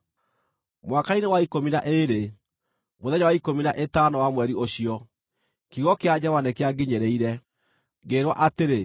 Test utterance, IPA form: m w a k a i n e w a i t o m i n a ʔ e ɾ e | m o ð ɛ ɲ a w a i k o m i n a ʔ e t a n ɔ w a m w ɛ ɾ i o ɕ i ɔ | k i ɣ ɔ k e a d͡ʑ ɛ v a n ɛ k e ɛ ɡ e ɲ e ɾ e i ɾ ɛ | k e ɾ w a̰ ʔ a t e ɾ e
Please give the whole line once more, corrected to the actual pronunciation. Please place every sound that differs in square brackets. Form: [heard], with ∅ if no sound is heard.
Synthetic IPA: m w a k a i n e w a i [k] o m i n a ʔ e ɾ e | m o ð ɛ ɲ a w a i k o m i n a ʔ e t a n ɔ w a m w ɛ ɾ i o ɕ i ɔ | k i ɣ ɔ k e a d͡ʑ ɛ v a n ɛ k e [a] ɡ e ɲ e ɾ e i ɾ ɛ | [ɡ] e ɾ w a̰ ʔ a t e ɾ e